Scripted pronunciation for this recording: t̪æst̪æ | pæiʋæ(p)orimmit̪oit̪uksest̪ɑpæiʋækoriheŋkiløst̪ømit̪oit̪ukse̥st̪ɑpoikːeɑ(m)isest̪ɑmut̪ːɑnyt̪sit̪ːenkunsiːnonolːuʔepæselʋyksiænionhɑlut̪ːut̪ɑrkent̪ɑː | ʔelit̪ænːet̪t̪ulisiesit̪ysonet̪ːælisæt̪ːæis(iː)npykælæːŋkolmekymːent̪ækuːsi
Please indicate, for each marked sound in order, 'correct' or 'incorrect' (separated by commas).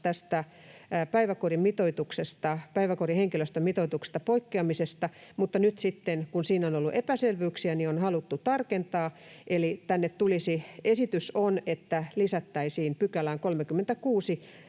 incorrect, correct, correct